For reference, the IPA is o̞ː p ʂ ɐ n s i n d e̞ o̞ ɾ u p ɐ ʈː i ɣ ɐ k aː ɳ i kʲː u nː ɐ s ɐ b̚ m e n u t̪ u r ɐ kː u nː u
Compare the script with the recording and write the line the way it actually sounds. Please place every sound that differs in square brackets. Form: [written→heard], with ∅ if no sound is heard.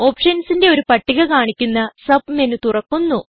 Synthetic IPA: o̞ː p ʂ ɐ n s i n d e̞ o̞ ɾ u p ɐ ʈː i ɣ ɐ k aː ɳ i kʲː u nː ɐ s ɐ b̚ m e n u t̪ u r ɐ kː u nː u